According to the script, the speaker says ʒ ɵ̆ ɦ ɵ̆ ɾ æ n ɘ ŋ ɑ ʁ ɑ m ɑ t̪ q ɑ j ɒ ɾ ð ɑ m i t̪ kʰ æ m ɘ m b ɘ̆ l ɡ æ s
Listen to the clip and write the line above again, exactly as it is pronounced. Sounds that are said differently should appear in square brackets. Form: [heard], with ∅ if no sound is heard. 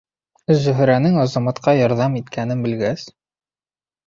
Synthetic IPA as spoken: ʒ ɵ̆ ɦ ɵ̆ ɾ æ n ɘ ŋ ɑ [z] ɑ m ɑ t̪ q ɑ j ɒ ɾ ð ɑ m i t̪ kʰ æ [n] ɘ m b ɘ̆ l ɡ æ s

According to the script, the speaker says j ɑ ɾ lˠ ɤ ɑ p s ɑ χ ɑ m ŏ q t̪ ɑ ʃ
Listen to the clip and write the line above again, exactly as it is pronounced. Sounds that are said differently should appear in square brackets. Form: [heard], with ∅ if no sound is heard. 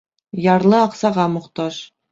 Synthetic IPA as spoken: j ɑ ɾ lˠ ɤ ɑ [q] s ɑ [ʁ] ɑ m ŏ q t̪ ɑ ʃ

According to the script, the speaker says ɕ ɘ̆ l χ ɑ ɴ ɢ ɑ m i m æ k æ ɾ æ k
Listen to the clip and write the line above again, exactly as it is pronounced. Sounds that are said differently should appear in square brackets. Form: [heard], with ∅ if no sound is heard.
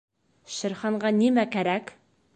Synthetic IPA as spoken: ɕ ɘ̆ [ɾ] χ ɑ ɴ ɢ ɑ [n] i m æ k æ ɾ æ k

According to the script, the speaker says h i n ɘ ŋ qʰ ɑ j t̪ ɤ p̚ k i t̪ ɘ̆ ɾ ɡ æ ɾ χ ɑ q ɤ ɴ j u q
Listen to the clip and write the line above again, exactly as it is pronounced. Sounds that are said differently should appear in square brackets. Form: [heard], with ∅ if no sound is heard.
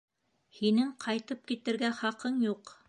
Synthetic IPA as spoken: h i n ɘ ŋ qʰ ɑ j t̪ ɤ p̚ k i t̪ ɘ̆ ɾ ɡ æ [∅] χ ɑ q ɤ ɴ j u q

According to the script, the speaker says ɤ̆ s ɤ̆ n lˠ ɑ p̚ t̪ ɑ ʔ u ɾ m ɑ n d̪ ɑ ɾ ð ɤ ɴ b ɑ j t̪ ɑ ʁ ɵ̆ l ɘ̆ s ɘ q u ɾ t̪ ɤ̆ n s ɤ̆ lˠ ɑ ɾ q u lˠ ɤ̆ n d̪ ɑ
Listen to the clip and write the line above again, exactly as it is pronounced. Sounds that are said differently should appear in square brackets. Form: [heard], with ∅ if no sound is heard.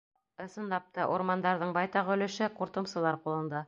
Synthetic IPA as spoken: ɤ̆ s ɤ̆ n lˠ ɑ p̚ t̪ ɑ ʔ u ɾ m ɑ n d̪ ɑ ɾ ð ɤ ɴ b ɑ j t̪ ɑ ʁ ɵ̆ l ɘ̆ [ʃ] ɘ q u ɾ t̪ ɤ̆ [m] s ɤ̆ lˠ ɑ ɾ q u lˠ ɤ̆ n d̪ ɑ

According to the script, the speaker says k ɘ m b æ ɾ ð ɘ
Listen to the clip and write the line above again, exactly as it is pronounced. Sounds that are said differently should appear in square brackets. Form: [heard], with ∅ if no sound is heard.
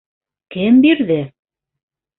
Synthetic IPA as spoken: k ɘ m b [i] ɾ ð ɘ

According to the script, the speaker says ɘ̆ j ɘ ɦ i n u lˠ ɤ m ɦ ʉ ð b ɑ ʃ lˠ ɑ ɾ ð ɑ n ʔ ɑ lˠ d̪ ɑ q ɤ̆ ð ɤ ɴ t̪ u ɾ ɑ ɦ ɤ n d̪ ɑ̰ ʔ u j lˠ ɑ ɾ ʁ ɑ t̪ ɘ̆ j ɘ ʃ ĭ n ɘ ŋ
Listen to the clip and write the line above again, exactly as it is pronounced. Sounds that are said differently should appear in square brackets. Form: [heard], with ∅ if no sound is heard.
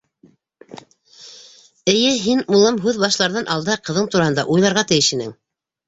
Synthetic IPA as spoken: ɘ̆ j ɘ ɦ i n u lˠ ɤ m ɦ ʉ ð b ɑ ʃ lˠ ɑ ɾ ð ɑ n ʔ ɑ lˠ d̪ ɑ q ɤ̆ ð ɤ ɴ t̪ u ɾ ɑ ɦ ɤ n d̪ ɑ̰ ʔ u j lˠ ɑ ɾ ʁ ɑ t̪ ɘ̆ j ɘ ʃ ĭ n ɘ ŋ

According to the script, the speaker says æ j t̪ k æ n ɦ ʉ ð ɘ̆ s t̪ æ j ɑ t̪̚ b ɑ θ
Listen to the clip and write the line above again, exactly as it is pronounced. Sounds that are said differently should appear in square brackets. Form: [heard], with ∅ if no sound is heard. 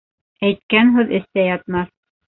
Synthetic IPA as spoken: æ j t̪ k æ n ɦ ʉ ð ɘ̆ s t̪ æ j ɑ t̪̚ [m] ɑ θ

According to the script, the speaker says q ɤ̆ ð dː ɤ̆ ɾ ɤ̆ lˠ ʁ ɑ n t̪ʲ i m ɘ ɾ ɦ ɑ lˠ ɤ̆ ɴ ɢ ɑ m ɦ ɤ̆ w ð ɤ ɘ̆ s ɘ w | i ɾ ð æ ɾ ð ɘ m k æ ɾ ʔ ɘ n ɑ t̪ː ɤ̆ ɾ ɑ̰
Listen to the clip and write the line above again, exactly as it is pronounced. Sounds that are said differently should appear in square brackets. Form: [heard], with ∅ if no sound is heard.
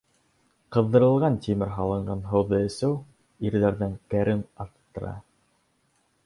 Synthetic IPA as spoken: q ɤ̆ ð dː ɤ̆ ɾ ɤ̆ lˠ ʁ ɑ n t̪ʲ i m ɘ ɾ ɦ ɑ lˠ ɤ̆ ɴ ɢ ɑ [n] ɦ ɤ̆ w ð ɤ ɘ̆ s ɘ w | i ɾ ð æ ɾ ð ɘ [ŋ] k æ ɾ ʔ ɘ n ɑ t̪ː ɤ̆ ɾ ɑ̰

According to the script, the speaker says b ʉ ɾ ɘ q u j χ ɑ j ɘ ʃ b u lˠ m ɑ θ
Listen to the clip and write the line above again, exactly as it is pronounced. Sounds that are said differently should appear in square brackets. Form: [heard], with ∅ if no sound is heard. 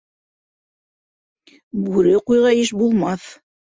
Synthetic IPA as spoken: b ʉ ɾ ɘ q u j [ʁ] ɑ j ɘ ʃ b u lˠ m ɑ θ

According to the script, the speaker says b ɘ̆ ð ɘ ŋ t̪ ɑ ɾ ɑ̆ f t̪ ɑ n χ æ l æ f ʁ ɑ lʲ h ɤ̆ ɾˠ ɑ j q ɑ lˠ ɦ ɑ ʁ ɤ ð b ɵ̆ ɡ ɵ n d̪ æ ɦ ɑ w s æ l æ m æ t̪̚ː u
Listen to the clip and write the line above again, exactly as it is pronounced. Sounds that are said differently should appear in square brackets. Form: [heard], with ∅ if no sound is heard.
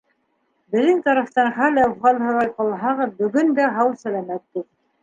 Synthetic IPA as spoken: b ɘ̆ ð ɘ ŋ t̪ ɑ ɾ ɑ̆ f t̪ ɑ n χ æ l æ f ʁ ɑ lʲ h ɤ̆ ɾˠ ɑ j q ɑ lˠ ɦ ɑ ʁ ɤ ð b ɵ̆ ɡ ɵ n d̪ æ ɦ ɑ w s æ l æ m æ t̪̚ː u

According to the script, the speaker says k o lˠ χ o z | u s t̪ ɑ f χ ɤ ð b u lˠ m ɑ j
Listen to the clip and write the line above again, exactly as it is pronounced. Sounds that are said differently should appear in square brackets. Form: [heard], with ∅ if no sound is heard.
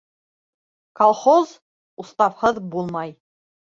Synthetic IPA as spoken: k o lˠ χ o z | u s t̪ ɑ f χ ɤ ð b u lˠ m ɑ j

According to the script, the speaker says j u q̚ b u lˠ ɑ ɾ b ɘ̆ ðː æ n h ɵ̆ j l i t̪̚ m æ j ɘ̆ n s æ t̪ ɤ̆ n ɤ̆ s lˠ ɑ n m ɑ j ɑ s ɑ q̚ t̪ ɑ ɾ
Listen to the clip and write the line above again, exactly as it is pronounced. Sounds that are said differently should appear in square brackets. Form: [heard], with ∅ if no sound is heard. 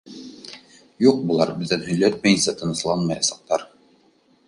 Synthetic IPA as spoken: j u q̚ b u lˠ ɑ ɾ b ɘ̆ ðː æ n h ɵ̆ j l [æ] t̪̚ m æ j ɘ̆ n s æ t̪ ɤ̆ n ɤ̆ s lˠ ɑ n m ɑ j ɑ s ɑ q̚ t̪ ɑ ɾ

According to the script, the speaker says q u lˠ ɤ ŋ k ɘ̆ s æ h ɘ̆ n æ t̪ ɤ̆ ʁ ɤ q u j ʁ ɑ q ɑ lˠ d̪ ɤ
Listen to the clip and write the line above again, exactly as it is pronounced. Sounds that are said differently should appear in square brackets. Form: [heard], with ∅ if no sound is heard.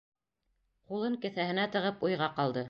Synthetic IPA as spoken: q u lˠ ɤ ŋ k ɘ̆ [θ] æ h ɘ̆ n æ t̪ ɤ̆ ʁ ɤ [p] u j ʁ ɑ q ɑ lˠ d̪ ɤ

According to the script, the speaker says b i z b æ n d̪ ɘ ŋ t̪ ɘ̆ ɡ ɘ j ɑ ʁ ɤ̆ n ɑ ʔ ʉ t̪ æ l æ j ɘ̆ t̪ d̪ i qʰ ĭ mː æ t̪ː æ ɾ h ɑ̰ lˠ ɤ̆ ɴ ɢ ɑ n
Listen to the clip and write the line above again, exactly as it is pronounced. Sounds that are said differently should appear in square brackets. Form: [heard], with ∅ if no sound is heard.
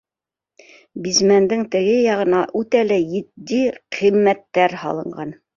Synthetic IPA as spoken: b i z [m] æ n d̪ ɘ ŋ t̪ ɘ̆ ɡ ɘ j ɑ ʁ ɤ̆ n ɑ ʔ ʉ t̪ æ l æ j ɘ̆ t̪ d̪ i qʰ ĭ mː æ t̪ː æ ɾ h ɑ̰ lˠ ɤ̆ ɴ ɢ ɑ n

